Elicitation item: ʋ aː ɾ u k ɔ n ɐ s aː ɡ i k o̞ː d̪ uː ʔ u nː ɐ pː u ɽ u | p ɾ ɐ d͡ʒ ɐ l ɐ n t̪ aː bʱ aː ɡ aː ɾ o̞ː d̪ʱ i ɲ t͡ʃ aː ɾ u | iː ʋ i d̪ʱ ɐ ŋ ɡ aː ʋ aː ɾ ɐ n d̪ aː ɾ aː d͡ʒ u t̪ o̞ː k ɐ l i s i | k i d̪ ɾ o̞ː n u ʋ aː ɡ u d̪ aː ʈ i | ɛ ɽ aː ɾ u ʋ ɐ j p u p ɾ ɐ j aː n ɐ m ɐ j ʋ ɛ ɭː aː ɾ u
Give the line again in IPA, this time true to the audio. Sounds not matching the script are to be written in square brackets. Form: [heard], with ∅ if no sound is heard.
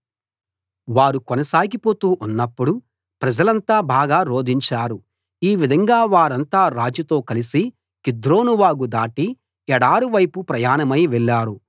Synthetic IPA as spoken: ʋ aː ɾ u k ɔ n ɐ s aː ɡ i [p] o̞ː [t̪] uː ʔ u nː ɐ pː u ɽ u | p ɾ ɐ d͡ʒ ɐ l ɐ n t̪ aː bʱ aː ɡ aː ɾ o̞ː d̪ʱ i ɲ t͡ʃ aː ɾ u | iː ʋ i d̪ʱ ɐ ŋ ɡ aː ʋ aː ɾ ɐ n [t̪] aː ɾ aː d͡ʒ u t̪ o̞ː k ɐ l i s i | k i d̪ ɾ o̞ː n u ʋ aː ɡ u d̪ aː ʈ i | ɛ ɽ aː ɾ u ʋ ɐ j p u p ɾ ɐ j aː n ɐ m ɐ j ʋ ɛ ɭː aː ɾ u